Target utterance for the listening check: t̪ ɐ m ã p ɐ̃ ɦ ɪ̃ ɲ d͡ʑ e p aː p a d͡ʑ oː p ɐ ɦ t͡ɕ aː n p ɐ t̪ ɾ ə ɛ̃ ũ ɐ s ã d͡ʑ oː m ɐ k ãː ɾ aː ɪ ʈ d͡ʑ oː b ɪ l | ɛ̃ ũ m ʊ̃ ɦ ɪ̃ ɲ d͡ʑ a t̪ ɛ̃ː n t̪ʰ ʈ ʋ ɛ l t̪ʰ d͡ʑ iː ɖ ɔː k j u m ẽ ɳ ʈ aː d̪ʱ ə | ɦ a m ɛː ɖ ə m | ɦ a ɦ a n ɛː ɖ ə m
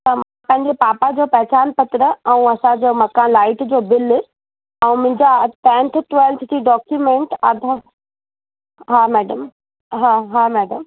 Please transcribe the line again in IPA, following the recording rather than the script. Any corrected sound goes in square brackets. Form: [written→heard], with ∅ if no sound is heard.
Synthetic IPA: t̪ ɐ m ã p ɐ̃ ɦ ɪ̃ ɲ d͡ʑ e p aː p a d͡ʑ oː p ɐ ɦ t͡ɕ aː n p ɐ t̪ ɾ ə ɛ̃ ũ ɐ s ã d͡ʑ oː m ɐ k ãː [ɾ→l] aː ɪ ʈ d͡ʑ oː b ɪ l | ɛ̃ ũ m ʊ̃ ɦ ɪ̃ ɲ d͡ʑ a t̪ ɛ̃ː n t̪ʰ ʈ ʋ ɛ l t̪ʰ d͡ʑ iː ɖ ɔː k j u m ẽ ɳ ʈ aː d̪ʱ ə | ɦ a m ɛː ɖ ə m | ɦ a ɦ a [n→m] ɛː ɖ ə m